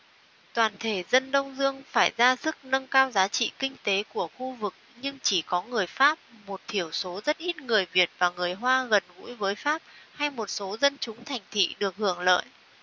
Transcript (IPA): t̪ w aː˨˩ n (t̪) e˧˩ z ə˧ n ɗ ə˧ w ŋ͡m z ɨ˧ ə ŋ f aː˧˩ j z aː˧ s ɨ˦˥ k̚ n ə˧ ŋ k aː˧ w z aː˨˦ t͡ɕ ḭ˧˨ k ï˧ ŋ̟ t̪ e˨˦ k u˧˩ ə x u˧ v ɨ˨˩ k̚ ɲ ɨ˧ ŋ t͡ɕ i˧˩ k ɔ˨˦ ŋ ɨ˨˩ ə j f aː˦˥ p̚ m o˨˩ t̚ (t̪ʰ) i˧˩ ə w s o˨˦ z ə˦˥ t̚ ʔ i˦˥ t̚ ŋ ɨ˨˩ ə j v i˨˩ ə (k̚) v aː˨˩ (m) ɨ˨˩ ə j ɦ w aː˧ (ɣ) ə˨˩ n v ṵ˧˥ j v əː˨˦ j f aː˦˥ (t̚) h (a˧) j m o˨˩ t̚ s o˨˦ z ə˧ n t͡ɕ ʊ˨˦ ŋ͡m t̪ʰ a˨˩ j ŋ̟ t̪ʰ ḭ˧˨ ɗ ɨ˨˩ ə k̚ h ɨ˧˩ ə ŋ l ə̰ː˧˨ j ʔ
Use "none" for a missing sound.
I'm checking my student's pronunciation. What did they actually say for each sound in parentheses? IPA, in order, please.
t̪ʰ, t̪ʰ, t̚, ŋ, ɣ, p̚, a˧

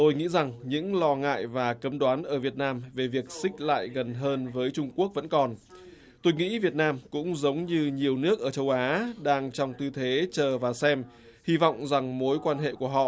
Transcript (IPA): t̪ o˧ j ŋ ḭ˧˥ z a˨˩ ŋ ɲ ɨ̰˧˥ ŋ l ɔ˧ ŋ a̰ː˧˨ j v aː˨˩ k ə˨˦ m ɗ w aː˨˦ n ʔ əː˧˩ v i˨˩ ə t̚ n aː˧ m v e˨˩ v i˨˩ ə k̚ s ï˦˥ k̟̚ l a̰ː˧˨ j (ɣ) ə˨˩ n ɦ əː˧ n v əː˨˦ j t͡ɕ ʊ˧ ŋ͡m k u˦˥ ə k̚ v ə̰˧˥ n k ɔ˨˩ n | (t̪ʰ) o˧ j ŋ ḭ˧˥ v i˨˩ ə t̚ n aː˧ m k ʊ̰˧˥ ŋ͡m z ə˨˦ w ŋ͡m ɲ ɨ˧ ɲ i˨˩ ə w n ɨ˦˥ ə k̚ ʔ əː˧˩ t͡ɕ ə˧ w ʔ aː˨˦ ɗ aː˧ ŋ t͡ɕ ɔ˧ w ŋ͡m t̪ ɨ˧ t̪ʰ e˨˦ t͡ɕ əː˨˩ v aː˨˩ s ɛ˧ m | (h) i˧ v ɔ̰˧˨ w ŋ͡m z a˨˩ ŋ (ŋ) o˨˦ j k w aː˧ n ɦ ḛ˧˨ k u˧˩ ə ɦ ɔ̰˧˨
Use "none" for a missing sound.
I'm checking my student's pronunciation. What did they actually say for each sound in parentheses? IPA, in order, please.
ɣ, t̪, h, m

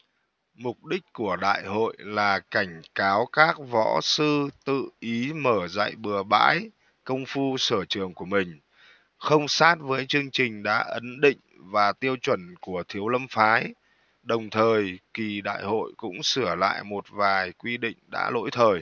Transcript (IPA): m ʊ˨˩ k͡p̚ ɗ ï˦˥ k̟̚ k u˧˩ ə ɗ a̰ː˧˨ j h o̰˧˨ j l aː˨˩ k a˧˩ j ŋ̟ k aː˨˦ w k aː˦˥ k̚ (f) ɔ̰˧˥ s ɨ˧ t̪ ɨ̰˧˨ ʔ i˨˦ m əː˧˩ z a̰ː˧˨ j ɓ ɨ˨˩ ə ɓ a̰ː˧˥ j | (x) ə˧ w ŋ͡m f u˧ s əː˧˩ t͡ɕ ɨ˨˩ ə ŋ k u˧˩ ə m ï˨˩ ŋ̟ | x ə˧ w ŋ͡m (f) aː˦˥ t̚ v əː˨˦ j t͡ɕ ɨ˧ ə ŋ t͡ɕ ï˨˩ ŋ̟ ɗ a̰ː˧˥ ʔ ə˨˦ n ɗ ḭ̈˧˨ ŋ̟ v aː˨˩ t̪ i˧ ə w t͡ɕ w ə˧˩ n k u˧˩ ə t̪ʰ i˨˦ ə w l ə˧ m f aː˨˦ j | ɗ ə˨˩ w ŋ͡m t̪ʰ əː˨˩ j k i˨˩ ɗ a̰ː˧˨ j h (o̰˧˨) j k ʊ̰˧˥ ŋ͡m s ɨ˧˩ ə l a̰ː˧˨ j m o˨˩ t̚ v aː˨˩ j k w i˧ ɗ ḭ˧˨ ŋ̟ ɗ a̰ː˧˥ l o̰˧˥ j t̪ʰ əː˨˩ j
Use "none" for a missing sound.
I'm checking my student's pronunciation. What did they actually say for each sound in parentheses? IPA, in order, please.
v, k, s, o̰˧˨

